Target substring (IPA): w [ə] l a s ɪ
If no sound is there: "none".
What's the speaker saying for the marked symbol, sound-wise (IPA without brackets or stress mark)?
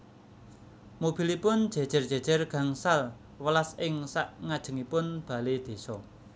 ə